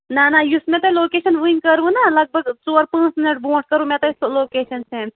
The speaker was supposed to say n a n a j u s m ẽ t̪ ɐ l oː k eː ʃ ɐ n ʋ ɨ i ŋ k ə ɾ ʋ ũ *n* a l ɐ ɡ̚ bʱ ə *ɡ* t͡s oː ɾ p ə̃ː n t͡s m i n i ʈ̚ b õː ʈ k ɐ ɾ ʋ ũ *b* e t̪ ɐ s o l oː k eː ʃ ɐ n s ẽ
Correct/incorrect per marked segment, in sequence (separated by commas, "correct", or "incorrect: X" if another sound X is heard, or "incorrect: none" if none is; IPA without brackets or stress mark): correct, correct, incorrect: m